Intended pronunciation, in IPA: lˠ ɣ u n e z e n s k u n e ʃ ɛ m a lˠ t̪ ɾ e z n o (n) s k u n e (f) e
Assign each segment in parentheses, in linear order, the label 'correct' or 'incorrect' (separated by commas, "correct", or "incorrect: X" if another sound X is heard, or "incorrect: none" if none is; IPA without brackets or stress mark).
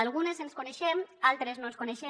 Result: correct, incorrect: ʃ